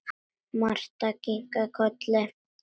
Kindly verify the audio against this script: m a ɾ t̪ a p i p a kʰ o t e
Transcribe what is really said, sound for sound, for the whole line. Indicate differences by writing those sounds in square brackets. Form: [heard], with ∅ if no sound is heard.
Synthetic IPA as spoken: m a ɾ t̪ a [k] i [k] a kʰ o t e